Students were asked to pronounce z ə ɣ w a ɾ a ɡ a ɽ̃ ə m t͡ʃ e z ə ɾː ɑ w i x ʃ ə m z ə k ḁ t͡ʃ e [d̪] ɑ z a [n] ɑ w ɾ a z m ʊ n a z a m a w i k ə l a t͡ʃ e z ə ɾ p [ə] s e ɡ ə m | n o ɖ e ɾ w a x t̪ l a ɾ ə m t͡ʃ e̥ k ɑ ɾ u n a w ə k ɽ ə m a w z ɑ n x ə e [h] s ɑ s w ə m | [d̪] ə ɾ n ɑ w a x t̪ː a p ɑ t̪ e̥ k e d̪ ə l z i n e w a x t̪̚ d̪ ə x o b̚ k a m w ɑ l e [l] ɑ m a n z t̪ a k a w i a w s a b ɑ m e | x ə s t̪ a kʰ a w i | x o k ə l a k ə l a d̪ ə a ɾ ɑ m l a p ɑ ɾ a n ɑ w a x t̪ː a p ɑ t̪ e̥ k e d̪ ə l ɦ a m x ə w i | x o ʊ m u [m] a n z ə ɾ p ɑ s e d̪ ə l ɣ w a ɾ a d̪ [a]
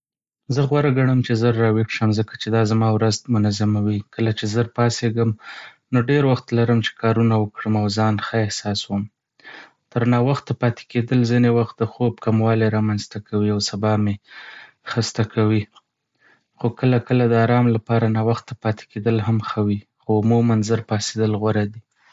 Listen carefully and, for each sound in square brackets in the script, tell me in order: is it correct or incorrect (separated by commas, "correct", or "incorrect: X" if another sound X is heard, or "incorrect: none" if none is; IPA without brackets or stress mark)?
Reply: correct, incorrect: m, incorrect: ɑ, correct, incorrect: t̪, incorrect: ɾ, correct, incorrect: i